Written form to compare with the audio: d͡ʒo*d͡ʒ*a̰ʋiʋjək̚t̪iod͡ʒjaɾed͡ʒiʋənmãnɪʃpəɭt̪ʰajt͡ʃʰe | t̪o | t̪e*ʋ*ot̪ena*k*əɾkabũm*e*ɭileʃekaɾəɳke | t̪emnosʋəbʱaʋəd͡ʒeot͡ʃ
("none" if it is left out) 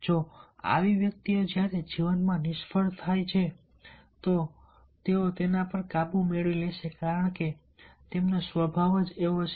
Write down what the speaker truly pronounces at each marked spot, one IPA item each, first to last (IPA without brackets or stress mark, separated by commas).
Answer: none, none, p, e